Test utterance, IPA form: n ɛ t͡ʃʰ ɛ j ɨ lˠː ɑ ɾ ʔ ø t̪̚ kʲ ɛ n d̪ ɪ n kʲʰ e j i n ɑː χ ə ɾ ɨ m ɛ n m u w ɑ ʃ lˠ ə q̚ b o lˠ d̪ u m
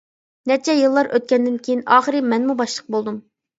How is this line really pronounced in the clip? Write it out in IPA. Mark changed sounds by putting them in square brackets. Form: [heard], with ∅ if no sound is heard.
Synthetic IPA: n ɛ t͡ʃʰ ɛ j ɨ lˠː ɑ ɾ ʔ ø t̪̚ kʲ ɛ n d̪ ɪ n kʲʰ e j i n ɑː χ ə ɾ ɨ m ɛ n m u [b] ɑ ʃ lˠ ə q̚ b o lˠ d̪ u m